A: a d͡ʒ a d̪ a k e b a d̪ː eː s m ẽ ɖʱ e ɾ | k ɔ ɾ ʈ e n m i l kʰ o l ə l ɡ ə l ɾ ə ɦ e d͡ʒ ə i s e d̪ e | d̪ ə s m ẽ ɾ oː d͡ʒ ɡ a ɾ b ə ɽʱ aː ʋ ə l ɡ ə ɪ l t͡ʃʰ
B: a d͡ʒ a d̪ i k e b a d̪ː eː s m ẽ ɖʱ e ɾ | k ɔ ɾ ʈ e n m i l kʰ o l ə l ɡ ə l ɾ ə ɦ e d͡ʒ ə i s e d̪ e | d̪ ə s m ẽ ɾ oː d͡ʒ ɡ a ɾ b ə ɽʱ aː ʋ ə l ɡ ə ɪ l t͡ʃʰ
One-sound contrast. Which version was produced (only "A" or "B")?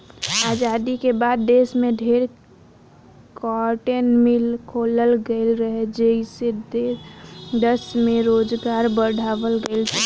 B